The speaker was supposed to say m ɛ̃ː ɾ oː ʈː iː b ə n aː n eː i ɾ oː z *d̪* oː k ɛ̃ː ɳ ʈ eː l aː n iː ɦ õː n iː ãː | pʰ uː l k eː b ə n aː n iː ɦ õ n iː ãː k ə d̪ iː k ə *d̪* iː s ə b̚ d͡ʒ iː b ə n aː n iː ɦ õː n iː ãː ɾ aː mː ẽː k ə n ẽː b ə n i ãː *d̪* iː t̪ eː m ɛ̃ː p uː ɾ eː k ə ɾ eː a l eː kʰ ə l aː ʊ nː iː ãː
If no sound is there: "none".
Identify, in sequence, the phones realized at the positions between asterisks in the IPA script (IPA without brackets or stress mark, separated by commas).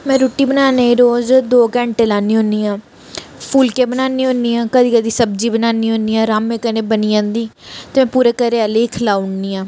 d̪, d̪, d̪